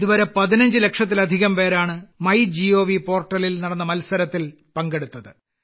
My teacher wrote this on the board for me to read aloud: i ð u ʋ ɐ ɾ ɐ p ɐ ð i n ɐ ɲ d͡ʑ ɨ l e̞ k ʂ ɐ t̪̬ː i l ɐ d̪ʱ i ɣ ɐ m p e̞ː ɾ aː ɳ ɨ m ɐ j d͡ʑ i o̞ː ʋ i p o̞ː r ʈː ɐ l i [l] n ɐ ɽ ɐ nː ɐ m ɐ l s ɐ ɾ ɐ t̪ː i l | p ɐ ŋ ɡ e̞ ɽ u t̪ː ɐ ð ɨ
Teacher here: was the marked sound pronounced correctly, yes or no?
yes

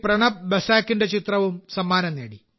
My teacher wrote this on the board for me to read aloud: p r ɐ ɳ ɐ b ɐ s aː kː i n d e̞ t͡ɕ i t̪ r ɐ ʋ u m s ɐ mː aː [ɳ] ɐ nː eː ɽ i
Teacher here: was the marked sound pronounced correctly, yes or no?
no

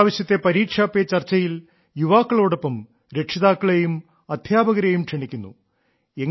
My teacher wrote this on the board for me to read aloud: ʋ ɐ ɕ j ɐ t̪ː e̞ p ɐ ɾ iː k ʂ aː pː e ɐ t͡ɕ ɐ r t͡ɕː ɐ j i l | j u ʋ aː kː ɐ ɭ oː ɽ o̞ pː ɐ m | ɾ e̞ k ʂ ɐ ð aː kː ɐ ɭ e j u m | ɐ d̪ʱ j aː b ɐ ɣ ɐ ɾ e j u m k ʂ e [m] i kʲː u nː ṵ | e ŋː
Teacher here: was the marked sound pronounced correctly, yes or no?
no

